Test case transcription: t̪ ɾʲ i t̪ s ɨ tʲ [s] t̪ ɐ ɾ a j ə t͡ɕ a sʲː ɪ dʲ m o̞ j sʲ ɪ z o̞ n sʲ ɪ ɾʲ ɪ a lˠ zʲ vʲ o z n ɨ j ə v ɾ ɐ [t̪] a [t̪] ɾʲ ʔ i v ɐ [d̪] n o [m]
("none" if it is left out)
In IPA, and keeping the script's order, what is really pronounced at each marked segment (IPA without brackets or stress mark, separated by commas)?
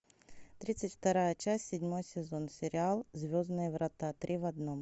f, t̪, t̪, d̪, m